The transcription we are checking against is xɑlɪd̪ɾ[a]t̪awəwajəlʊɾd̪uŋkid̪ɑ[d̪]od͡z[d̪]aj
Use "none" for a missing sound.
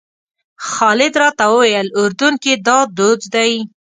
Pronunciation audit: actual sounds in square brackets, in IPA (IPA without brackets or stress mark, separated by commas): ɑ, d̪, d̪